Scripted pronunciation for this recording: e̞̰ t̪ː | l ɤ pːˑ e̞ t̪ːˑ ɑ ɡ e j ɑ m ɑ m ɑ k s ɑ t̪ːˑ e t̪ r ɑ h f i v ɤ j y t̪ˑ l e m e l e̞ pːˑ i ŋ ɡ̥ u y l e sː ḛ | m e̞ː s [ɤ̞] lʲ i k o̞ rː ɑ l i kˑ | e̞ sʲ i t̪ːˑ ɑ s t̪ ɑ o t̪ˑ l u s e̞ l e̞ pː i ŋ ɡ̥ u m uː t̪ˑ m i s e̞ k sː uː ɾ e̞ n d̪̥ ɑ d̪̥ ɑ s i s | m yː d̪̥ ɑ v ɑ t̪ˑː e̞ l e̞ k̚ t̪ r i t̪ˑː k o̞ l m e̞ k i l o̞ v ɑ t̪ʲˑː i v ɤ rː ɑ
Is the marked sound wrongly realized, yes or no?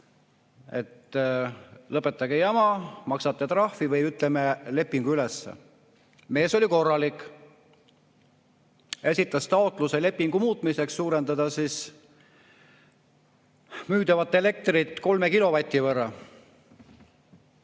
yes